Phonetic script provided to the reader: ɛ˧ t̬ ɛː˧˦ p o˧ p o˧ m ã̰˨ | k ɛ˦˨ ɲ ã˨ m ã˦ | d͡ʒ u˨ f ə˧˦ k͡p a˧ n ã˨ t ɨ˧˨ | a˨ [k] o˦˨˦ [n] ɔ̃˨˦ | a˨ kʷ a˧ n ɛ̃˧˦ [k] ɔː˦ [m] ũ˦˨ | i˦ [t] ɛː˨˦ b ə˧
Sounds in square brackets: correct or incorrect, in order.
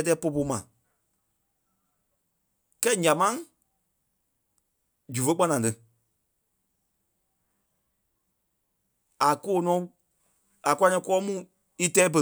correct, correct, correct, correct, correct

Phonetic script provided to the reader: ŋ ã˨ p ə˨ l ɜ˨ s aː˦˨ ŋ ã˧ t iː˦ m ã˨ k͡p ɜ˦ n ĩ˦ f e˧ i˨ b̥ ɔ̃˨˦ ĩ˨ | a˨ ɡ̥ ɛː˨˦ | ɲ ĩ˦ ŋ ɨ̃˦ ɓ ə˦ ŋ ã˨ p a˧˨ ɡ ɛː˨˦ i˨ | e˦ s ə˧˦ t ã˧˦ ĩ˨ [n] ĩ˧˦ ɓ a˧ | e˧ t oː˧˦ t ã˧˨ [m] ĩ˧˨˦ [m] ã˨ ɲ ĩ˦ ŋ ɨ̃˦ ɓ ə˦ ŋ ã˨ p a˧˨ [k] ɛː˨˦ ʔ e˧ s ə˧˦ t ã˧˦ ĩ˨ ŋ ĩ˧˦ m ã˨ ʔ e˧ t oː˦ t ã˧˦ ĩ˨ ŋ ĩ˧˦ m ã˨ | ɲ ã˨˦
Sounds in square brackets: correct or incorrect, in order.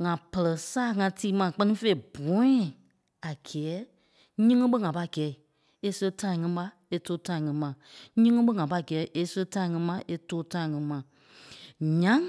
incorrect: ŋ, incorrect: ŋ, correct, incorrect: ɡ

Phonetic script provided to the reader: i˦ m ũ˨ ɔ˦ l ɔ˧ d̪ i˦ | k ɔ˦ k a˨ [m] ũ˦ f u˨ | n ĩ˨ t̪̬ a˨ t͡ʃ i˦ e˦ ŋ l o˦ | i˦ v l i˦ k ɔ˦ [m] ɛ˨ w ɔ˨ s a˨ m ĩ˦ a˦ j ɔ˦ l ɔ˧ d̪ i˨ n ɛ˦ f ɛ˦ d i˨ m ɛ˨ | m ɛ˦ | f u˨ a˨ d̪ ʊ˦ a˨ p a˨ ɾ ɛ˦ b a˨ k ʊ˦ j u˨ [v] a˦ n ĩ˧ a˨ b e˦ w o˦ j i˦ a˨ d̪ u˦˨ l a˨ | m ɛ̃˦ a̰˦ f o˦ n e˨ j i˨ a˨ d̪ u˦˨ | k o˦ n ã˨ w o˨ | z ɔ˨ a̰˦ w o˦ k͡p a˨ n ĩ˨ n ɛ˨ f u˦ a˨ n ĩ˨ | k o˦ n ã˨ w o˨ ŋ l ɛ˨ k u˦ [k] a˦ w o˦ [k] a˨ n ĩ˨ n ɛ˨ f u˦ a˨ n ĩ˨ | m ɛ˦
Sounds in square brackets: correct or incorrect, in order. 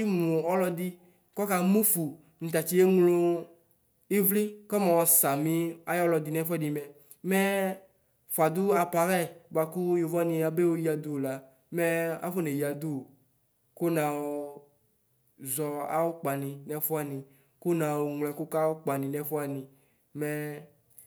correct, correct, correct, correct, incorrect: k͡p

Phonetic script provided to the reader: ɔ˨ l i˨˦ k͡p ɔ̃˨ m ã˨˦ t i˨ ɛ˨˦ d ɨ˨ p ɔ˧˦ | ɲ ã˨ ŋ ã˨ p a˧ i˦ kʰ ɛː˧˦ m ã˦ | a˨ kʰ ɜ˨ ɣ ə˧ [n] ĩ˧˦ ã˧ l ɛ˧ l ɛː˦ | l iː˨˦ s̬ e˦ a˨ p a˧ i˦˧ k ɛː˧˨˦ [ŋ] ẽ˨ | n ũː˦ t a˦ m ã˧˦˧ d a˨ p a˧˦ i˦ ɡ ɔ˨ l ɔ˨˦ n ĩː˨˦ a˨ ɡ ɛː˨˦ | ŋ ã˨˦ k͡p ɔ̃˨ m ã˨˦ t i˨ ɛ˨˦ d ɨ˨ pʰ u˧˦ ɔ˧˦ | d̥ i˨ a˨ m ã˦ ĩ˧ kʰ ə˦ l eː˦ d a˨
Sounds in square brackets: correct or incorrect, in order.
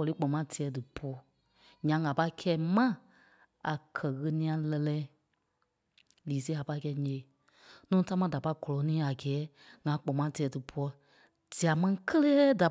correct, incorrect: ɲ

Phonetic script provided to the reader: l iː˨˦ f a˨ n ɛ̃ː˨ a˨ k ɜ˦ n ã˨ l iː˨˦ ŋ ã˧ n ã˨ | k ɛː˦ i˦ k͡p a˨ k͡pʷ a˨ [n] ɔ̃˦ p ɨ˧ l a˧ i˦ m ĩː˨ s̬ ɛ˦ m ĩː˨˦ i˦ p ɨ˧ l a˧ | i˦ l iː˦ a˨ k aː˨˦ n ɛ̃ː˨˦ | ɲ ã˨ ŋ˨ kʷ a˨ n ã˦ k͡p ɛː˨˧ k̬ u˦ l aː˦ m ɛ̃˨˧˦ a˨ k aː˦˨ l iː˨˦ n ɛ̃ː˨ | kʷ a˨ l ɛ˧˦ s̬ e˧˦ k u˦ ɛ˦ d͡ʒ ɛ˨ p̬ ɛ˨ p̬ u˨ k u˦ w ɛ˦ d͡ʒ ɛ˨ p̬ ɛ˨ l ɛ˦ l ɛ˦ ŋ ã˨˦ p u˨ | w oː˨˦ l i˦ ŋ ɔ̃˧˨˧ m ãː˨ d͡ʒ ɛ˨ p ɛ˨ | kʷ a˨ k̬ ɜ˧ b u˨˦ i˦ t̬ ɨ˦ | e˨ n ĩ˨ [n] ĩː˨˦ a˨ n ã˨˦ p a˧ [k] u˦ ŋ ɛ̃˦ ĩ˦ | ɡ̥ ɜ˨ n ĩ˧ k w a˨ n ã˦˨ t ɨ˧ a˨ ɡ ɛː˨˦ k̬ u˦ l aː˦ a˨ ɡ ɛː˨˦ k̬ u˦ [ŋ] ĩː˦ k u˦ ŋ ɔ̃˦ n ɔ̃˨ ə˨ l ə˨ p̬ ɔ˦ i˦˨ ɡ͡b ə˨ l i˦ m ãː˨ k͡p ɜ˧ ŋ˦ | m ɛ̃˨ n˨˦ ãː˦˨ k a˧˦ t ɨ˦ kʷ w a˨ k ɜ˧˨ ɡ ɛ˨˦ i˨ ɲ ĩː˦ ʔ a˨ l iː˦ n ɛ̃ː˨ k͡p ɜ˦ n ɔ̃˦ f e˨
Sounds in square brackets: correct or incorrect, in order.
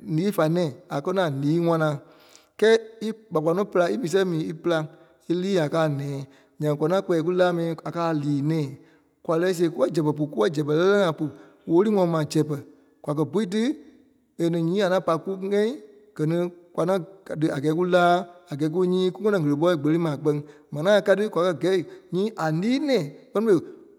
correct, incorrect: ɲ, correct, incorrect: ɲ

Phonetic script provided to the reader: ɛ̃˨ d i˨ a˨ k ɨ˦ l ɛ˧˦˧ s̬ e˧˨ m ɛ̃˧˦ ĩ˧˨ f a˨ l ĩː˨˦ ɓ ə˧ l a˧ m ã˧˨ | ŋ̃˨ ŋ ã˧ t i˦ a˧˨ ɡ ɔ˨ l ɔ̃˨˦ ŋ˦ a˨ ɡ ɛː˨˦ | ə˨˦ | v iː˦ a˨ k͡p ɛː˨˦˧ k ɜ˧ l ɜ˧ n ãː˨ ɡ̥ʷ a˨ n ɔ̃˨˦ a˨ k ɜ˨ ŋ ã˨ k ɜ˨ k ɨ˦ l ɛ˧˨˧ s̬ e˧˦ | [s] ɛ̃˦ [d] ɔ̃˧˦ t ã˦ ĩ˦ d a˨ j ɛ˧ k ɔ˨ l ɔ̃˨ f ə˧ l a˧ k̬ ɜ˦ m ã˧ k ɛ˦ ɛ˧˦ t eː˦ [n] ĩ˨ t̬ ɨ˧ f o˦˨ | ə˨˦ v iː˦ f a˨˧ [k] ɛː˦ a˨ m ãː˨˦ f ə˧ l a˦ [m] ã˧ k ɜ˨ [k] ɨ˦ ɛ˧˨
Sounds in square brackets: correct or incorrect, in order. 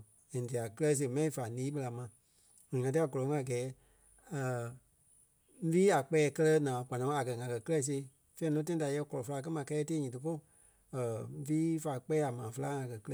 incorrect: f, incorrect: n, incorrect: ɲ, incorrect: k͡p, incorrect: ŋ, correct

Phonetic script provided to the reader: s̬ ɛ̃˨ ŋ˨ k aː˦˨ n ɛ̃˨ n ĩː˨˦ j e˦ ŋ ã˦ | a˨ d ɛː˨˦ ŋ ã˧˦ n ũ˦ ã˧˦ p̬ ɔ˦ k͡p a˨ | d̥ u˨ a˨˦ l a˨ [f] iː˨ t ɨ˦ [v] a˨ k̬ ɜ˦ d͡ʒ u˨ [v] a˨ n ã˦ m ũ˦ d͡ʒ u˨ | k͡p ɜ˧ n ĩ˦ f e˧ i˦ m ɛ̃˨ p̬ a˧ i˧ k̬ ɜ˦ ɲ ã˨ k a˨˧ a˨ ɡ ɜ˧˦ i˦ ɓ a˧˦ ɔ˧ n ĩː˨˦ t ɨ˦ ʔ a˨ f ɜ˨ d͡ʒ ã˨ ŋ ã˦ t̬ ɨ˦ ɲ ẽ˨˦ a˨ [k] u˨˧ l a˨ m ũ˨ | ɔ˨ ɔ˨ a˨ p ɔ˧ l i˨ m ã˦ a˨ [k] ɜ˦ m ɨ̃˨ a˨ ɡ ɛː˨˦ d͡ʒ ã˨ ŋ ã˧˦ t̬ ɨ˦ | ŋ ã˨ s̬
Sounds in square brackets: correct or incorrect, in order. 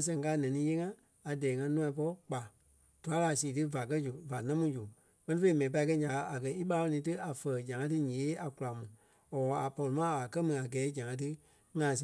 incorrect: s, correct, correct, correct, correct

